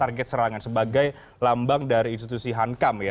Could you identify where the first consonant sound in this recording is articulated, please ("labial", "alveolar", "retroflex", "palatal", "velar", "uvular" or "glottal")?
alveolar